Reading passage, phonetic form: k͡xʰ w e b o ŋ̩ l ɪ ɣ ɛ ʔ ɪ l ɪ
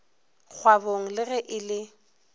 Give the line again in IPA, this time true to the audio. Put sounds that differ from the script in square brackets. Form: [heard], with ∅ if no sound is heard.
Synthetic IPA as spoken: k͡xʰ w [a] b o ŋ̩ l ɪ ɣ ɛ ʔ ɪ l ɪ